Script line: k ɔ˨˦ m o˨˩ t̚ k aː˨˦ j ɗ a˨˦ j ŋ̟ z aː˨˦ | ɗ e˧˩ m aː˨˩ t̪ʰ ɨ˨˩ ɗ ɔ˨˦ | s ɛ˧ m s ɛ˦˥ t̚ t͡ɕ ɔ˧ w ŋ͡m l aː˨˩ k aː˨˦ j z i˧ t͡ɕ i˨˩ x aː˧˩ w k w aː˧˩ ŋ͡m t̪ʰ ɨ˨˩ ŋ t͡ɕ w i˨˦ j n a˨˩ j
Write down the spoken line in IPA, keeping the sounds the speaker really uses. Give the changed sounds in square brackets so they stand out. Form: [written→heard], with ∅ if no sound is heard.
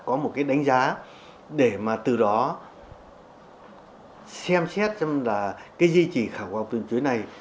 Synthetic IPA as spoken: k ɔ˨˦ m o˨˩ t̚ k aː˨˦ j ɗ a˨˦ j ŋ̟ z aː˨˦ | ɗ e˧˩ m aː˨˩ [t̪ʰ→t̪] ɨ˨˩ ɗ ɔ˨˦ | s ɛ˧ m s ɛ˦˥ t̚ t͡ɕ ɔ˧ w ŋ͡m l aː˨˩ k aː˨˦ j z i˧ t͡ɕ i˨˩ x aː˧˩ w k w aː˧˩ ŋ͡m [t̪ʰ→t̪] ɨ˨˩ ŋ t͡ɕ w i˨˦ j n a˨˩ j